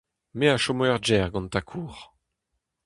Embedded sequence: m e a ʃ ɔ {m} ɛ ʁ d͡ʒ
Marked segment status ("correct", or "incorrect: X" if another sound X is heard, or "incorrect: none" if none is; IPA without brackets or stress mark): correct